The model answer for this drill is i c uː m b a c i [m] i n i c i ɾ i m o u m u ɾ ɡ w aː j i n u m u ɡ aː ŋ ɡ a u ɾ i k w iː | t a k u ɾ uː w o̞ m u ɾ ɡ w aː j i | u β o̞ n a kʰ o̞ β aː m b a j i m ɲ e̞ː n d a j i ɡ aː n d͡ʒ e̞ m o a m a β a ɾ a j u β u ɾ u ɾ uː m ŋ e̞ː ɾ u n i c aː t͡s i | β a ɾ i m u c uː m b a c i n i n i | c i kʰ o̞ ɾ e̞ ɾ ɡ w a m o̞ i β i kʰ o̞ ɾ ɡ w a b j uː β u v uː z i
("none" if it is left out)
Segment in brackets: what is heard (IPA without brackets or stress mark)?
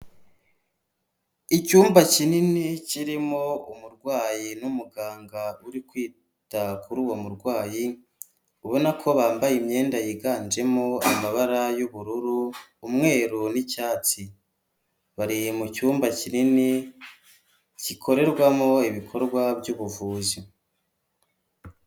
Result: n